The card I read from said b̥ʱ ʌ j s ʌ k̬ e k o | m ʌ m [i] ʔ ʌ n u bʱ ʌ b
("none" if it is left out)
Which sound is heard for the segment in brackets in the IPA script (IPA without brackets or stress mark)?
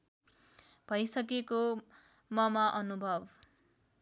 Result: a